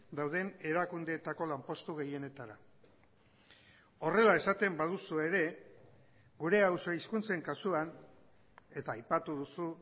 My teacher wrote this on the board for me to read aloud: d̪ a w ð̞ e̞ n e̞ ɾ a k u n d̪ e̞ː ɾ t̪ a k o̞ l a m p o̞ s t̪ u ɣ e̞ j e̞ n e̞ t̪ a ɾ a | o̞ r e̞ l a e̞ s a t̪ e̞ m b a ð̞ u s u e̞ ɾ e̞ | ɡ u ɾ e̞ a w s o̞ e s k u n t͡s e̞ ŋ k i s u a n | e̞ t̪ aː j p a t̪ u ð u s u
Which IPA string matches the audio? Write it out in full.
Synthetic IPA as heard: d̪ a w ð̞ e̞ n e̞ ɾ a k u n d̪ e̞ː t̪ a k o̞ l a m p o̞ s t̪ u ɣ e̞ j e̞ n e̞ t̪ a ɾ a | o̞ r e̞ l a e̞ s a t̪ e̞ m b a ð̞ u s u e̞ ɾ e̞ | ɡ u ɾ e̞ a w s o̞ i s k u n t͡s e̞ ŋ k a s u a n | e̞ t̪ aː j p a t̪ u ð u s u